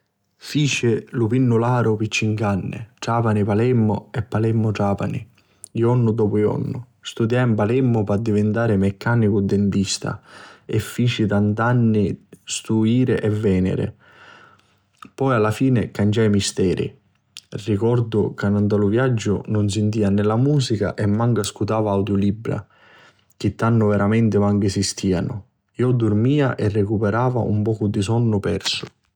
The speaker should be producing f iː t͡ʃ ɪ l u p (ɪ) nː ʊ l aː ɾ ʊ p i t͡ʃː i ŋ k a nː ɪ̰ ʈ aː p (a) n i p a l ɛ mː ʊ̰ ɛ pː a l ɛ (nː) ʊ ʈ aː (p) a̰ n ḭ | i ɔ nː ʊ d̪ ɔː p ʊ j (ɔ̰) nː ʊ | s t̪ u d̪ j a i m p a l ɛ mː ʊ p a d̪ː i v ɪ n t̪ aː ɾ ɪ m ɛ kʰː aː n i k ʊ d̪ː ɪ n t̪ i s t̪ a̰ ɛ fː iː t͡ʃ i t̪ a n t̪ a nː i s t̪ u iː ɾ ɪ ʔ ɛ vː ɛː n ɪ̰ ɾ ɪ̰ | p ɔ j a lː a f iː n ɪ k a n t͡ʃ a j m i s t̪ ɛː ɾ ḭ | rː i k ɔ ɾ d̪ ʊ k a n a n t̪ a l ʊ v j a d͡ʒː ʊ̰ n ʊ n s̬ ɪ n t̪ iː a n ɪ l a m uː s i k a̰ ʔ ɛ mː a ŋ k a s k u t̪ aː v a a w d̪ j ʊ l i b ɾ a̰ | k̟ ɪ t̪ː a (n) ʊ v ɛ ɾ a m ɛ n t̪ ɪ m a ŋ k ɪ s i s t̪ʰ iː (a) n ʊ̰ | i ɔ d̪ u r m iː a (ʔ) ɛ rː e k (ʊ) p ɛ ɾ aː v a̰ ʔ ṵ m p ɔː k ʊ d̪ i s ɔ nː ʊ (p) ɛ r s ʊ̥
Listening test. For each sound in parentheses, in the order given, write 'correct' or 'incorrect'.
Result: incorrect: i, correct, incorrect: mː, correct, correct, incorrect: nː, correct, correct, incorrect: u, correct

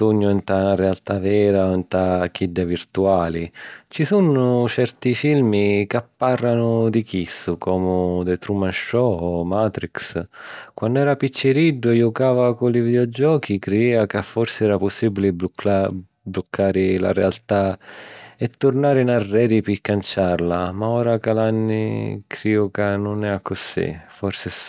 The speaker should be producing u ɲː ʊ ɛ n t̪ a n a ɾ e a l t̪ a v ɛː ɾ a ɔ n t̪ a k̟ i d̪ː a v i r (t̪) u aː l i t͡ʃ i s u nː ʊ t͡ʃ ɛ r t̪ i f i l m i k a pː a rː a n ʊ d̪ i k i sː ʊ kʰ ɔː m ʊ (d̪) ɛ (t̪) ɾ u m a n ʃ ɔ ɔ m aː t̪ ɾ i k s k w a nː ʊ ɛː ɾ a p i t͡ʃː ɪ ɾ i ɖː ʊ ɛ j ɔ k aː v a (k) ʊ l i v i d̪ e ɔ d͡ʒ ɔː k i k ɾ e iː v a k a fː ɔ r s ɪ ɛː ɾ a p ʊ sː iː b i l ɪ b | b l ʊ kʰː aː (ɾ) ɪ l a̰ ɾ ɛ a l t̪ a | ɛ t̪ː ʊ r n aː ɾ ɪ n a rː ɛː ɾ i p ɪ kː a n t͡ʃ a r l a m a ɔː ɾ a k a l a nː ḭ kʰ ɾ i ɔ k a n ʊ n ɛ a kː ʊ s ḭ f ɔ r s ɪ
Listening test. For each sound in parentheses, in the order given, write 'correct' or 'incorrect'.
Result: correct, correct, correct, correct, correct

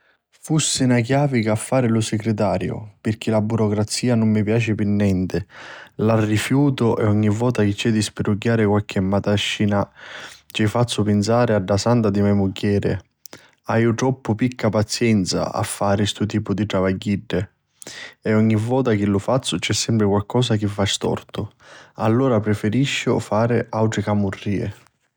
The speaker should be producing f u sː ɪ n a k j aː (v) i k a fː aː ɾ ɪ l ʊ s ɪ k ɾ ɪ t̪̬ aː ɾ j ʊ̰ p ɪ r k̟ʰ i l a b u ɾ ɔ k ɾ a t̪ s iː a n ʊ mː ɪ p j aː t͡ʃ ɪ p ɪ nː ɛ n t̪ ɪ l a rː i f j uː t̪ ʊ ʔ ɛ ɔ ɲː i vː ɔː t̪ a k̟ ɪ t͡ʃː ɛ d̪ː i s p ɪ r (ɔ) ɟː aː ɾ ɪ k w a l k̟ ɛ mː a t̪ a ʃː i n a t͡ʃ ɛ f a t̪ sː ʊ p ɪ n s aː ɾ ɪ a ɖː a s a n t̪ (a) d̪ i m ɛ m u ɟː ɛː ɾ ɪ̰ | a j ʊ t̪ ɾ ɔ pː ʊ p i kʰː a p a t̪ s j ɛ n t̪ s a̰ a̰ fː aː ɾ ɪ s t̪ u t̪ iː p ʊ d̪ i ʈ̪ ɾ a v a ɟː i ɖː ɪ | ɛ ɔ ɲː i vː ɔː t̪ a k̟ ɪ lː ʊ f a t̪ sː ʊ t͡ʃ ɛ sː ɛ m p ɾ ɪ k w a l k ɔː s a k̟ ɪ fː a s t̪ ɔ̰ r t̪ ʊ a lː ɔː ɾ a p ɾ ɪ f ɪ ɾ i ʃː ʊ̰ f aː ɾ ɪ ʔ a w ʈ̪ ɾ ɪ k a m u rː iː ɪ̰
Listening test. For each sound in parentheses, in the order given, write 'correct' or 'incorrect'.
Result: correct, incorrect: u, correct

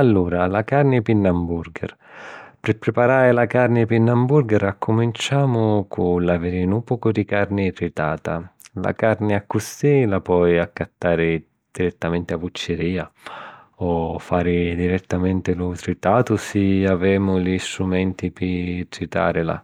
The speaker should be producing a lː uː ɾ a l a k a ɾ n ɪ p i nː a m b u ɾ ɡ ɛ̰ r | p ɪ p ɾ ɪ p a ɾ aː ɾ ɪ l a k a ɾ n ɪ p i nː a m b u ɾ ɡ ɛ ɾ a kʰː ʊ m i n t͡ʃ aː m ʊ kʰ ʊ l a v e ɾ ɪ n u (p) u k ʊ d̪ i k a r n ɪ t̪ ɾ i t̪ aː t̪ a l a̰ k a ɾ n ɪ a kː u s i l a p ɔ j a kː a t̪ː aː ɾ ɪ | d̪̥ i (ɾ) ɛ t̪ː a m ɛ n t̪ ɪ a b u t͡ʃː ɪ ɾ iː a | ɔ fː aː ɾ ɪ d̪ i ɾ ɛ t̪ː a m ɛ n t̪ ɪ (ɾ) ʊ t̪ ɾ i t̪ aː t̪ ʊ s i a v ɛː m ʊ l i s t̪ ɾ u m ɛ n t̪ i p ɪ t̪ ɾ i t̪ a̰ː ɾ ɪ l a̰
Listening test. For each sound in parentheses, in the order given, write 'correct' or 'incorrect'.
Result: correct, correct, incorrect: l

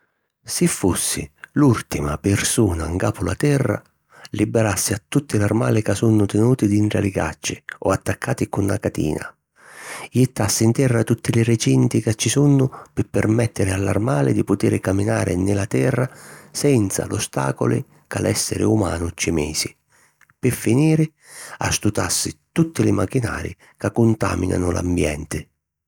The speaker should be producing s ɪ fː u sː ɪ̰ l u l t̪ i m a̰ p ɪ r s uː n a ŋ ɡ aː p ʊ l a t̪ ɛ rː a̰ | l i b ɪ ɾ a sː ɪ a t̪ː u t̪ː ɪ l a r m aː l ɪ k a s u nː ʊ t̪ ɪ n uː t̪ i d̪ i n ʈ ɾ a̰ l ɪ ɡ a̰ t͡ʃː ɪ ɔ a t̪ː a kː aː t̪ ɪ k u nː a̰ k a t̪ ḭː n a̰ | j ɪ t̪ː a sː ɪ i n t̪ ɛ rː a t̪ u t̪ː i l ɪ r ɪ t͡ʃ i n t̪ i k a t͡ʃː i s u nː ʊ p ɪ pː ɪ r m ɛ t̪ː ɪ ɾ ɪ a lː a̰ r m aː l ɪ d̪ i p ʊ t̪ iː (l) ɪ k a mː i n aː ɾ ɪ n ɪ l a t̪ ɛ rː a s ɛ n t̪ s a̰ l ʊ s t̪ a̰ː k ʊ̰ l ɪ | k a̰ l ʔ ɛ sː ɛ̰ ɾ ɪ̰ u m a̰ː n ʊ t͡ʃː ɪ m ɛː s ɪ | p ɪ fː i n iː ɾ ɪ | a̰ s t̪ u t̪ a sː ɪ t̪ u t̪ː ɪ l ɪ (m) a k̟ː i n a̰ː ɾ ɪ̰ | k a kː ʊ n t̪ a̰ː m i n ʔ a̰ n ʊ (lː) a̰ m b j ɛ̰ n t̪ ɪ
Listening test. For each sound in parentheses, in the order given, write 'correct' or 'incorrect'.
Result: incorrect: ɾ, correct, incorrect: l

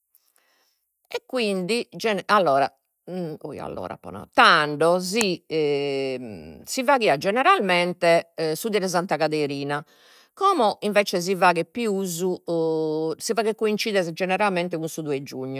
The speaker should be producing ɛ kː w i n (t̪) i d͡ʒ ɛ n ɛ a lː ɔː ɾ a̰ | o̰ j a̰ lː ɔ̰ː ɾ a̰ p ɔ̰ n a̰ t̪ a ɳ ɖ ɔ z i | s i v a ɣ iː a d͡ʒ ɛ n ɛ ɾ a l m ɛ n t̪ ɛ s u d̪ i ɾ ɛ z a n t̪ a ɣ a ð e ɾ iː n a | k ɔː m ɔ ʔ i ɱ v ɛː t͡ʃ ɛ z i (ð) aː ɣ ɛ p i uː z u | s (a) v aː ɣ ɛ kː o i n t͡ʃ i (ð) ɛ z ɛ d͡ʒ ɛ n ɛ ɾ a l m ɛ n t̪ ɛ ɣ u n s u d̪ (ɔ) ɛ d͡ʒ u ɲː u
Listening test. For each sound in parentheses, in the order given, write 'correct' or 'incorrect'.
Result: incorrect: d̪, incorrect: v, incorrect: i, correct, incorrect: u

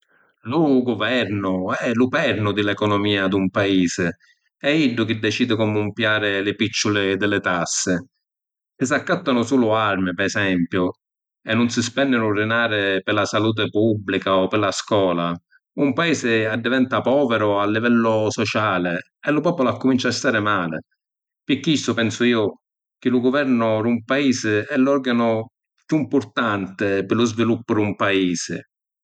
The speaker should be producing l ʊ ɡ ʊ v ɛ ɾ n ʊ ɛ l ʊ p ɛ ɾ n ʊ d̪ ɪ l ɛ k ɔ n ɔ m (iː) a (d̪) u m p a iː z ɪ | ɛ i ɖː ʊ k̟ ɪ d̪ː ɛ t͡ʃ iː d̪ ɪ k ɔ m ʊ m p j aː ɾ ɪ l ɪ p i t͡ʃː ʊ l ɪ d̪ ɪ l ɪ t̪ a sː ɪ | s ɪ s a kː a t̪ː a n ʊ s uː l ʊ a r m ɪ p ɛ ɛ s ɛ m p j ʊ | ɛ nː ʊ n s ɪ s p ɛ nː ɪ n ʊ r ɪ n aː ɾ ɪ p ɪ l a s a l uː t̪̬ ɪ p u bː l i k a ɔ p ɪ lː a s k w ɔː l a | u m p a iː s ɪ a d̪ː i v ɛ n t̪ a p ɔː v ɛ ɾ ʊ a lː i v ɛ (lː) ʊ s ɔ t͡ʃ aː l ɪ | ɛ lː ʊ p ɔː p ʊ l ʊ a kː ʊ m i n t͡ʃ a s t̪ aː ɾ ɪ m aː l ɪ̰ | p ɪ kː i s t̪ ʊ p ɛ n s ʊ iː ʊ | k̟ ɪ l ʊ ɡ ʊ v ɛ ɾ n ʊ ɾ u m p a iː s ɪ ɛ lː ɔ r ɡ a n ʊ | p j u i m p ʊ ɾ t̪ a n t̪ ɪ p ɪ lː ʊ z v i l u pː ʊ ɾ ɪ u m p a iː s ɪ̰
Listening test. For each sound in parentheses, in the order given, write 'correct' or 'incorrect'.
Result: correct, correct, correct

